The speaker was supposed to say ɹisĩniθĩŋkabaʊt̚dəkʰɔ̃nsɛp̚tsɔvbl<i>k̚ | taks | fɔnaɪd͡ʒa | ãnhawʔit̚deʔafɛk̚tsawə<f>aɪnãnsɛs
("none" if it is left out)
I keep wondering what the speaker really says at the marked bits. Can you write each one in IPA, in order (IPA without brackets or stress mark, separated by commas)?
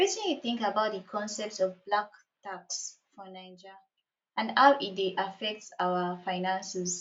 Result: a, f